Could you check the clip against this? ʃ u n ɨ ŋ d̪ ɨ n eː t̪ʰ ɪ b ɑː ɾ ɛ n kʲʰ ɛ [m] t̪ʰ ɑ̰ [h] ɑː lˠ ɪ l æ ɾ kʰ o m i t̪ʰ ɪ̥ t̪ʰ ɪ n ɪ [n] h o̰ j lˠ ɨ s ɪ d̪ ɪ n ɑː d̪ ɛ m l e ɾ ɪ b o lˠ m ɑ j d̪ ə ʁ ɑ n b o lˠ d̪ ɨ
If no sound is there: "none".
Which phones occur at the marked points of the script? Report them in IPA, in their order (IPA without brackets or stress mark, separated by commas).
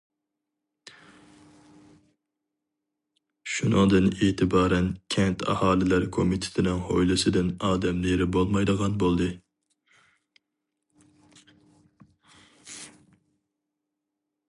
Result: n, h, ŋ